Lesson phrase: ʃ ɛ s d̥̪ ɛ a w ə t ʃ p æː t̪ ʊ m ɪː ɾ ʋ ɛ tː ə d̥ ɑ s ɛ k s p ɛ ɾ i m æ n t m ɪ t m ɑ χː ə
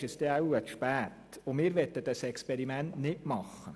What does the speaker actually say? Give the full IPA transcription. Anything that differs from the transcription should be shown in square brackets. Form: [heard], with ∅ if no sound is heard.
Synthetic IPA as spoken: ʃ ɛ s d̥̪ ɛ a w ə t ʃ p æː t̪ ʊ m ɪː ɾ ʋ ɛ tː ə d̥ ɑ s ɛ k s p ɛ ɾ i m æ n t [n] ɪ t m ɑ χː ə